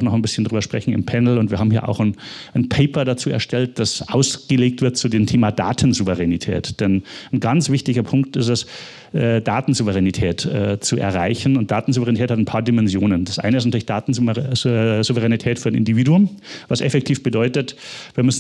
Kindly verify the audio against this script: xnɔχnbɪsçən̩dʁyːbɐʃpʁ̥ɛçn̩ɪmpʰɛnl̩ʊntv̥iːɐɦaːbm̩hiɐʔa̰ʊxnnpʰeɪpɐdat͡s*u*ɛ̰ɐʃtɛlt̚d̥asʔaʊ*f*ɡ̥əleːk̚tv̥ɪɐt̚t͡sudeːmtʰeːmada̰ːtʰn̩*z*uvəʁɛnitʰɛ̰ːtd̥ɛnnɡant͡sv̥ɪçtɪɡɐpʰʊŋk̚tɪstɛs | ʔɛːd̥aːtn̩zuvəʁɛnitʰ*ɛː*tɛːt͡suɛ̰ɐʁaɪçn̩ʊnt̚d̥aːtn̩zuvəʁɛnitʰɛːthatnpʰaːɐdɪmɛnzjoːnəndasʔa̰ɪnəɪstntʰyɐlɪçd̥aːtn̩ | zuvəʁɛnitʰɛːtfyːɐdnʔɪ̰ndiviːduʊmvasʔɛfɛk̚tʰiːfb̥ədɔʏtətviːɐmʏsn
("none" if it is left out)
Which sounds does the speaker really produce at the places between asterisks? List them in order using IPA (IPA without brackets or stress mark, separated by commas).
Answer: uː, s, z, ɛː